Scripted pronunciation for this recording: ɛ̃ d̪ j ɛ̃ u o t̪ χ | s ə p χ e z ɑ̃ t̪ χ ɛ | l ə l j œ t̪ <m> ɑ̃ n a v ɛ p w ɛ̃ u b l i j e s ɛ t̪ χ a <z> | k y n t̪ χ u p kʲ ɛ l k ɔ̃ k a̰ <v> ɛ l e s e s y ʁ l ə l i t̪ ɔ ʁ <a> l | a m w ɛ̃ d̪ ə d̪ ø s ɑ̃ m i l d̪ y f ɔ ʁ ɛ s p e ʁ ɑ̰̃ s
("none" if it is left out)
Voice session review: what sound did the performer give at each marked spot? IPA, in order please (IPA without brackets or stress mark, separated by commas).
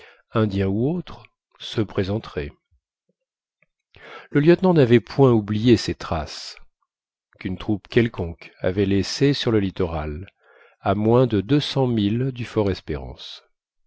n, s, v, a